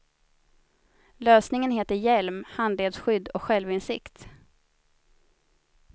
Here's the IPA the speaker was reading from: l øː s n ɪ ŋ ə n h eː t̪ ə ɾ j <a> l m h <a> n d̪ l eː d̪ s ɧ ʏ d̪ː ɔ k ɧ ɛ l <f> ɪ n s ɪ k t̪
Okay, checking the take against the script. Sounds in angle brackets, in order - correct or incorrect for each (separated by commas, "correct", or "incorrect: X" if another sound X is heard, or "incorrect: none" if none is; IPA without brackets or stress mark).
incorrect: ɛ, correct, incorrect: v